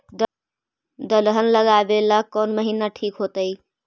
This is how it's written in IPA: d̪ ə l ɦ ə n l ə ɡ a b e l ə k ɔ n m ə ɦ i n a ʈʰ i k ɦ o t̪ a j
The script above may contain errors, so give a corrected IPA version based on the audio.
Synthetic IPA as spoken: d̪ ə l ɦ ə n l ə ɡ a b e l a k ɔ n m ə ɦ i n a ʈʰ i k ɦ o t̪ ə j